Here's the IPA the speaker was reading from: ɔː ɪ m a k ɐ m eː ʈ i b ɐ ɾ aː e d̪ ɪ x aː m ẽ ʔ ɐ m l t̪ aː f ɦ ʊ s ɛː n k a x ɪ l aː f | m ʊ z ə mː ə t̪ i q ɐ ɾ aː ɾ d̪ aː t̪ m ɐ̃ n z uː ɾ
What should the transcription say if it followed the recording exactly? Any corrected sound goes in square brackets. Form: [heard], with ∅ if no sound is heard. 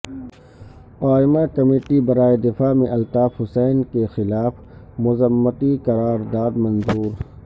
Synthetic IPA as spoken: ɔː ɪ m a k ɐ m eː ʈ i b ɐ ɾ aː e d̪ ɪ [f] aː m ẽ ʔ ɐ [∅] l t̪ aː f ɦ ʊ s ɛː n k [e] x ɪ l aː f | m ʊ z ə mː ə t̪ i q ɐ ɾ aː ɾ d̪ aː [d̪] m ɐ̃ n z uː ɾ